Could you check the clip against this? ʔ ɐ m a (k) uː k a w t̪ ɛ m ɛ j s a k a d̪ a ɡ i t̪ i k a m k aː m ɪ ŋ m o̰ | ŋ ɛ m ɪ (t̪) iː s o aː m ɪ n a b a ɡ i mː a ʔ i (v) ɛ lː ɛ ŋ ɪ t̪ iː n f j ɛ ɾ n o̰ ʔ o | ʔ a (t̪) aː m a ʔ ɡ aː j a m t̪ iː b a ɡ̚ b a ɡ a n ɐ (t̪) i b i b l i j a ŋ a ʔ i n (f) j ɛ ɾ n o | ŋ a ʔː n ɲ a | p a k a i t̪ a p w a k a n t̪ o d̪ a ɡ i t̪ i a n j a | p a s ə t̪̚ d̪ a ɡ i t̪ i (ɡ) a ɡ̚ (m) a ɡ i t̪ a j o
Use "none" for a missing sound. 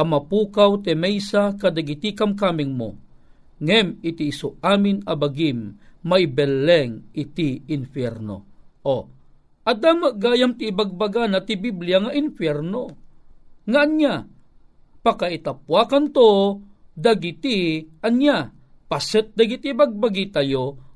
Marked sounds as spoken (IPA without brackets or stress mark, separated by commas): p, t̪, b, d̪, t̪, f, b, b